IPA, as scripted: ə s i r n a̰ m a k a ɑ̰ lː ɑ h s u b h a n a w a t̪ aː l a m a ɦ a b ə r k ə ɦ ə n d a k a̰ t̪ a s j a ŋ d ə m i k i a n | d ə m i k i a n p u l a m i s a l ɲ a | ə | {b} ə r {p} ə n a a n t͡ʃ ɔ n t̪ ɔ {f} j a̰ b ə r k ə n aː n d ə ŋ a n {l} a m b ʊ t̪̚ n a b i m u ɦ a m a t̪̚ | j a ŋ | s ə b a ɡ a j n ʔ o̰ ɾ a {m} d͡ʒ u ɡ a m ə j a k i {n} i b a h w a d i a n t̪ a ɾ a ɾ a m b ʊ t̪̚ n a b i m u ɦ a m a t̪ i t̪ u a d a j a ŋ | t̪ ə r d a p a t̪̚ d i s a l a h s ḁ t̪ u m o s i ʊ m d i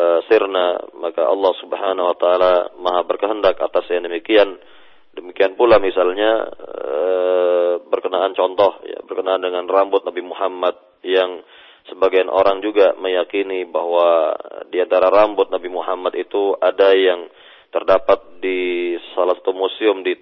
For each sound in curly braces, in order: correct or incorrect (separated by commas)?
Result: correct, incorrect, incorrect, incorrect, incorrect, correct